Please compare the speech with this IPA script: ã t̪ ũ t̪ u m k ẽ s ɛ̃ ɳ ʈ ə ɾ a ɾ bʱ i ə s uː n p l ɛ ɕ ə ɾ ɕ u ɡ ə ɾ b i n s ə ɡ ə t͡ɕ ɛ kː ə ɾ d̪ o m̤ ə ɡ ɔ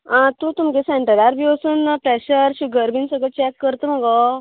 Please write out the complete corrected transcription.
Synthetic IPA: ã t̪ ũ t̪ u m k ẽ s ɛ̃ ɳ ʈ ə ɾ a ɾ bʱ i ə s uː n p ɾ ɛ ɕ ə ɾ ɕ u ɡ ə ɾ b i n s ə ɡ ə t͡ɕ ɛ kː ə ɾ t̪ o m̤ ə ɡ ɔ